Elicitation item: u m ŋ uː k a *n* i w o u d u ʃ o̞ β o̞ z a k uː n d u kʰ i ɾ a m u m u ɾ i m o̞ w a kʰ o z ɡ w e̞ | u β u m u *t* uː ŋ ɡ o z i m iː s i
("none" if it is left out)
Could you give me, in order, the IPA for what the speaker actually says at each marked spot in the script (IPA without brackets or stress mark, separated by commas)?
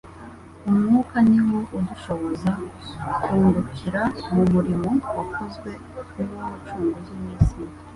n, t͡ʃ